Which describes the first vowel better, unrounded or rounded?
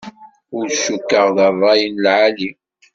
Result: rounded